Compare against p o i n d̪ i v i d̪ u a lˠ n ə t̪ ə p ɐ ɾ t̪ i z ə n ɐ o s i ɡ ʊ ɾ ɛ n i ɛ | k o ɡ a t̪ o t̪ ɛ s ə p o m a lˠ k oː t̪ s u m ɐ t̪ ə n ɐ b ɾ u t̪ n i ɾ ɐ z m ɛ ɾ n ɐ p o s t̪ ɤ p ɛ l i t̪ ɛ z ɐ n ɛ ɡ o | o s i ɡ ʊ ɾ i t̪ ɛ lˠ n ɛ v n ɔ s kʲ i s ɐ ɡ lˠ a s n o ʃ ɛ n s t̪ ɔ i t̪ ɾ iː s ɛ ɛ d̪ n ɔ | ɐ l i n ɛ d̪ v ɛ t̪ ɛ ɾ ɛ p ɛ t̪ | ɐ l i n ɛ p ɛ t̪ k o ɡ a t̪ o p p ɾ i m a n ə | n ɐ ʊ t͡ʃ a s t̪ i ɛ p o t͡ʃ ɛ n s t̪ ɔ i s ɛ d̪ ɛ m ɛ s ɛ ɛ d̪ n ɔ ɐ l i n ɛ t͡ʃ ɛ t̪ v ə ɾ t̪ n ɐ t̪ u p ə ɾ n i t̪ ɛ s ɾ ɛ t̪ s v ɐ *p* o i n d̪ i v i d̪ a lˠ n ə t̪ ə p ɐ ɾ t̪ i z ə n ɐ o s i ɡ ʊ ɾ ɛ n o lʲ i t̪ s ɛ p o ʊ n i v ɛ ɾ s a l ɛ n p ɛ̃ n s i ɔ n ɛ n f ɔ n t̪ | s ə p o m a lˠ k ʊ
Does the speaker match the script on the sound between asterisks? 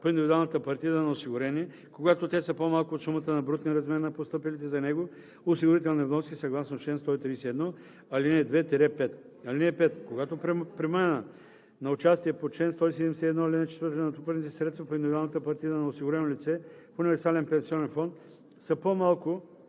yes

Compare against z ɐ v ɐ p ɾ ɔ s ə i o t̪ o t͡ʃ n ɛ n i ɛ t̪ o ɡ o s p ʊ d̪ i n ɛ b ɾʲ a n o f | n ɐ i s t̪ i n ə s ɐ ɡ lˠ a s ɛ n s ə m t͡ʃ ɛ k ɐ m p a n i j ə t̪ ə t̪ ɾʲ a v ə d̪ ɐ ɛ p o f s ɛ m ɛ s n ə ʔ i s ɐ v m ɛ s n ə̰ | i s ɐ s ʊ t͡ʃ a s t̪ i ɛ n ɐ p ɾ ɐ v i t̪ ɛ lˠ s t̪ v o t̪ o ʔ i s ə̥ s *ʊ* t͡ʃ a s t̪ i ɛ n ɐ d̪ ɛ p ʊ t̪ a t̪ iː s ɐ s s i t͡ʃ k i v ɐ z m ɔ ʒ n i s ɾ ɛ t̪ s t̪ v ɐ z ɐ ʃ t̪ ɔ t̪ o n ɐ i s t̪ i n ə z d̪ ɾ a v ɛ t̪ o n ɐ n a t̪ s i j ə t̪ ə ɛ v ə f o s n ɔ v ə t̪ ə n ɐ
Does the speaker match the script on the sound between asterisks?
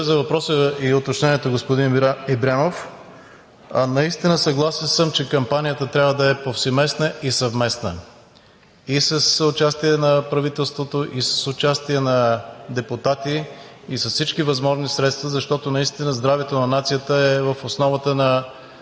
yes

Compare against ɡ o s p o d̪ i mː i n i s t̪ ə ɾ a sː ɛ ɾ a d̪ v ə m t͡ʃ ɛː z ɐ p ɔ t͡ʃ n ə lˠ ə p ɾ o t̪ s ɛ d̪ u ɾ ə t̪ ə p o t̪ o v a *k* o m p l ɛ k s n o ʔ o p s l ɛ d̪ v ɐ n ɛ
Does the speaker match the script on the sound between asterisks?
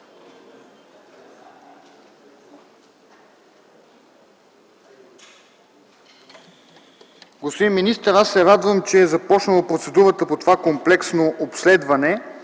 yes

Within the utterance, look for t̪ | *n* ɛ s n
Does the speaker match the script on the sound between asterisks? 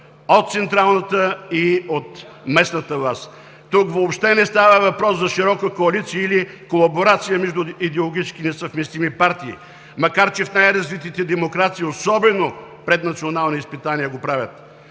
no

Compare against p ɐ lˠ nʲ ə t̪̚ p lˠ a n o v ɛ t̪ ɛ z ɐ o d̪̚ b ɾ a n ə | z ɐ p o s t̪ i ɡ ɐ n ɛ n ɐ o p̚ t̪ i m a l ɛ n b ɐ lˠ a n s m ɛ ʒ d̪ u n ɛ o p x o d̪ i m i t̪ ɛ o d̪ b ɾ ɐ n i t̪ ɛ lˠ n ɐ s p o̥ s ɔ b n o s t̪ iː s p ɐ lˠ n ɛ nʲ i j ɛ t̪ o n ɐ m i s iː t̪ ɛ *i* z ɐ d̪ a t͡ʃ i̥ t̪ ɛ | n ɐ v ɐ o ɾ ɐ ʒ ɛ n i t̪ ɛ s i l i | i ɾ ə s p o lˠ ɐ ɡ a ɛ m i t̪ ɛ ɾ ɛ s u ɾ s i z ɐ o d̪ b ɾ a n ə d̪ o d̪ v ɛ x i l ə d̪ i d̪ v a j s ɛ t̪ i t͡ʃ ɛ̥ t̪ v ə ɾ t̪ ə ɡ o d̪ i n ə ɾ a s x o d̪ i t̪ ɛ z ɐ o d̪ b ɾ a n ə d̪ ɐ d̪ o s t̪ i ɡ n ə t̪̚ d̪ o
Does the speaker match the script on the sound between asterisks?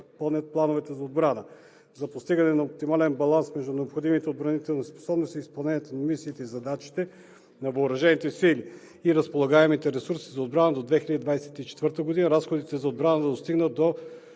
yes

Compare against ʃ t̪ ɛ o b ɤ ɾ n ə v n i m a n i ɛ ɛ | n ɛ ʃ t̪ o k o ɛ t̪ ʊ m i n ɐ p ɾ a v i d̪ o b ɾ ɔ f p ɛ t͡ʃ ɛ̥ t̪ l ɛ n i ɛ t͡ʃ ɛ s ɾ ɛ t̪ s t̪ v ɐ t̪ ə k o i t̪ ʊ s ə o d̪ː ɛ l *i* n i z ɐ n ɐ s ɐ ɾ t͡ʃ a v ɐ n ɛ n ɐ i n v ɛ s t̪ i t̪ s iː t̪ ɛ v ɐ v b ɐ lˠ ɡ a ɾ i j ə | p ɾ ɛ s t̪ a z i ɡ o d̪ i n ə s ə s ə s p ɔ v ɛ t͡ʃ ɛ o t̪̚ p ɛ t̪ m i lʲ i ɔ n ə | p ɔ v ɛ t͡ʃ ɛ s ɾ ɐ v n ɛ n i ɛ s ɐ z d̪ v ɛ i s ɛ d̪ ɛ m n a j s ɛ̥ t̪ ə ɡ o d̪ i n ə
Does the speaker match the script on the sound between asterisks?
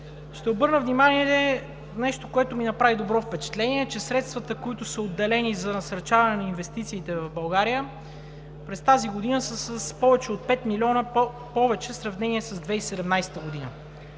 no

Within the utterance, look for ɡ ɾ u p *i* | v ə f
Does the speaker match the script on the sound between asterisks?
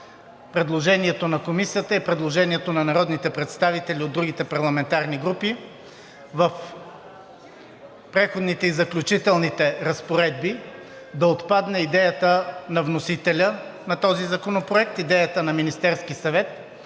yes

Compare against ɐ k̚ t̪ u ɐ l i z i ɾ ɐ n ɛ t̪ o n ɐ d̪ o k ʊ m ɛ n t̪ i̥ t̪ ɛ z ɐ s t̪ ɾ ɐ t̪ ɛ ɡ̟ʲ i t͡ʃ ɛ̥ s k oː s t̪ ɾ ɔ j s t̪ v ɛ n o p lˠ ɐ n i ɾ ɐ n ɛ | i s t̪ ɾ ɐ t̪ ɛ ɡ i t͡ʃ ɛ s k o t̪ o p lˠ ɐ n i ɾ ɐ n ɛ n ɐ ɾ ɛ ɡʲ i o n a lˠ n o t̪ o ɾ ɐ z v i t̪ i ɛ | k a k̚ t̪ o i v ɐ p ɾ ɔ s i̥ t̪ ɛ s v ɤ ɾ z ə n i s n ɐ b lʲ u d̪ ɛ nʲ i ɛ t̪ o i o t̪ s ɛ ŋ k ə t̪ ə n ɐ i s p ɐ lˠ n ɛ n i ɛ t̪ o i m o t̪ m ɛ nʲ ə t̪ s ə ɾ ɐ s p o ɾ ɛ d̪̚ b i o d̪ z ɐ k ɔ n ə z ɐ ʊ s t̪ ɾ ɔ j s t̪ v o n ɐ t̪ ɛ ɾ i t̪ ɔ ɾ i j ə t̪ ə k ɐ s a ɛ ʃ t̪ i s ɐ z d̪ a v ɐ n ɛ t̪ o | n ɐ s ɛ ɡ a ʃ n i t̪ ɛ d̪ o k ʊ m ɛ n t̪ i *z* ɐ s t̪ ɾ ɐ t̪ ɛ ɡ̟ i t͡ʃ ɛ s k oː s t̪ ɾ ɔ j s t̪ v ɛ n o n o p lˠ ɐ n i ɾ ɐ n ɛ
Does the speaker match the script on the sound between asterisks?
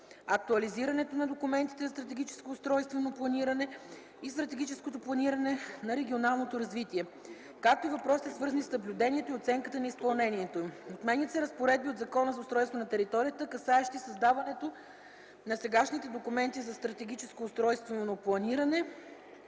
yes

